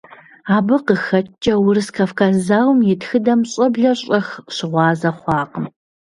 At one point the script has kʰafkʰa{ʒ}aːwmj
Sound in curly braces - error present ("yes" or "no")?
yes